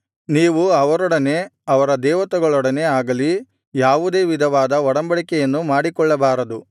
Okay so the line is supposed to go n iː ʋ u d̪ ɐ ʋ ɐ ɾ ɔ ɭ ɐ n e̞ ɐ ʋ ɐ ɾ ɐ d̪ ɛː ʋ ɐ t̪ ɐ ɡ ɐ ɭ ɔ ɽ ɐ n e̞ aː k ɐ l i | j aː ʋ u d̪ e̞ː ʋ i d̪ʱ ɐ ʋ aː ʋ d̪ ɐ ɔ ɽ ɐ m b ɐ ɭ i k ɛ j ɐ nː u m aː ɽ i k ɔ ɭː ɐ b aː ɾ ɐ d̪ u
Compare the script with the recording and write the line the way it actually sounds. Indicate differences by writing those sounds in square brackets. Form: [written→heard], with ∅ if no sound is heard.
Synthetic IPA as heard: n iː ʋ u [d̪→∅] ɐ ʋ ɐ ɾ ɔ [ɭ→ɽ] ɐ n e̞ ɐ ʋ ɐ ɾ ɐ d̪ ɛː ʋ ɐ t̪ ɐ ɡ ɐ ɭ ɔ ɽ ɐ n e̞ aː [k→ɡ] ɐ l i | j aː ʋ u d̪ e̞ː ʋ i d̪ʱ ɐ ʋ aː [ʋ→∅] d̪ ɐ ɔ ɽ ɐ m b ɐ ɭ i k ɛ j ɐ nː u m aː ɽ i k ɔ ɭː ɐ b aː ɾ ɐ d̪ u